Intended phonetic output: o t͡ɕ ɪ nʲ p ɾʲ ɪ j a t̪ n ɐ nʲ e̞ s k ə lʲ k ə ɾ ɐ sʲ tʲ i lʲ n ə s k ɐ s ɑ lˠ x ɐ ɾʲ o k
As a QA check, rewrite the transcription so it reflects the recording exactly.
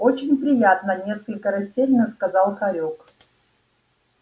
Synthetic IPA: o t͡ɕ ɪ nʲ p ɾʲ ɪ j a t̪ n ə nʲ e̞ s k ə lʲ k ə ɾ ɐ sʲ tʲ e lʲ n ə s k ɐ z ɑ lˠ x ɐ ɾʲ o k